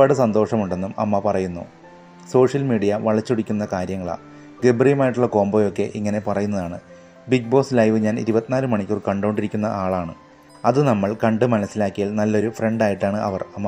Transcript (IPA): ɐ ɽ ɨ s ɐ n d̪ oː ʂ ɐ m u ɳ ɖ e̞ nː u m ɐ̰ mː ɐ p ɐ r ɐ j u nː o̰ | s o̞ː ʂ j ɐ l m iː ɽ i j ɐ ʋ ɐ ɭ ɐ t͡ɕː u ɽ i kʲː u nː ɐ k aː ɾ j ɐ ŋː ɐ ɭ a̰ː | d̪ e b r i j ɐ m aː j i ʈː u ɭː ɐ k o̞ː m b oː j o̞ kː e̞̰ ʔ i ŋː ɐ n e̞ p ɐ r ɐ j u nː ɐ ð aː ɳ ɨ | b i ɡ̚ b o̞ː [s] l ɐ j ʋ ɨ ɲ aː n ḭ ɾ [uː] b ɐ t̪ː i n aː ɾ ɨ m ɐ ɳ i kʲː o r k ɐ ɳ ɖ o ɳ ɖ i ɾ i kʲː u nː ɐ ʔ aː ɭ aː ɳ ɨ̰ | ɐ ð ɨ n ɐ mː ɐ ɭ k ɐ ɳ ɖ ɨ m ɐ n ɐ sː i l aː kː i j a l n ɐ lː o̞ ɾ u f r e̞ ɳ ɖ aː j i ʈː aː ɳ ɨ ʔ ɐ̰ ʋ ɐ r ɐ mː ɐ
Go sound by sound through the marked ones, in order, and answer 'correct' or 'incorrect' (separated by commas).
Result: correct, incorrect